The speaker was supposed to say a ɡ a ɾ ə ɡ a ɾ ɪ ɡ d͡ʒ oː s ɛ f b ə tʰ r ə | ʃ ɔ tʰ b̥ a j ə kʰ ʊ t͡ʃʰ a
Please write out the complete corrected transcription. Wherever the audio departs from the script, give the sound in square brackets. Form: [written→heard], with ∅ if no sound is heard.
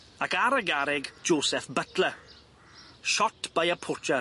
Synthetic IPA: a [ɡ→k] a ɾ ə ɡ a ɾ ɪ ɡ d͡ʒ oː s ɛ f b ə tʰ [r→l] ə | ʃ ɔ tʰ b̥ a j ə [kʰ→pʰ] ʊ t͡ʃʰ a